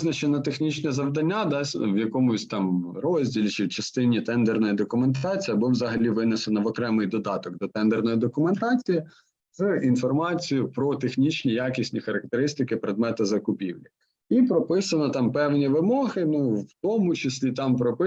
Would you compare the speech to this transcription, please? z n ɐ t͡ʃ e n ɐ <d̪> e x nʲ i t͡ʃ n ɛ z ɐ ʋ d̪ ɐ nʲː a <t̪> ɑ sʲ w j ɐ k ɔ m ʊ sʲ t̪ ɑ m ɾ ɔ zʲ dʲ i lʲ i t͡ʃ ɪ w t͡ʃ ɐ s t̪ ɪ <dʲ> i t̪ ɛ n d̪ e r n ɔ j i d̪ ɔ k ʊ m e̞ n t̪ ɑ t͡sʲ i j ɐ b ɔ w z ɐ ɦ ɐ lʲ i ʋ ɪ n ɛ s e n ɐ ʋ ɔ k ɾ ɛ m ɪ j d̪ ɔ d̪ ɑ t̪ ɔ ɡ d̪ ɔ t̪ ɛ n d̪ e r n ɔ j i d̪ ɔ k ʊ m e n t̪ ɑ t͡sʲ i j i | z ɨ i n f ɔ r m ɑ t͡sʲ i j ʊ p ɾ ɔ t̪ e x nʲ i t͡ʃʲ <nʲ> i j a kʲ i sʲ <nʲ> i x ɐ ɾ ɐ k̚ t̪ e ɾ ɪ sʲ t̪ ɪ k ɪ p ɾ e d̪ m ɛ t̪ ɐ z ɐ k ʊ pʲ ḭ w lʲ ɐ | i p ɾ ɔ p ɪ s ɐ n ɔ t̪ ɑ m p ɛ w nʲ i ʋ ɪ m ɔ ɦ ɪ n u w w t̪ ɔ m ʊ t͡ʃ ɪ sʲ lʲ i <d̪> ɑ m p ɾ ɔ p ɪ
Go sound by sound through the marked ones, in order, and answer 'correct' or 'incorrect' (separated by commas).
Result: incorrect, incorrect, incorrect, correct, correct, incorrect